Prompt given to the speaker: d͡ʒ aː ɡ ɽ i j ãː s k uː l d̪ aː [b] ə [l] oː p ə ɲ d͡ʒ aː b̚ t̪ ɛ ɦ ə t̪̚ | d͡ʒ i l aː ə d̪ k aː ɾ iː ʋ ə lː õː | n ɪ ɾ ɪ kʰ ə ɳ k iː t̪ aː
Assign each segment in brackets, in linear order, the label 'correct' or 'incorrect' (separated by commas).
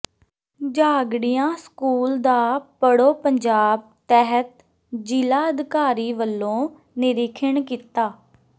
incorrect, incorrect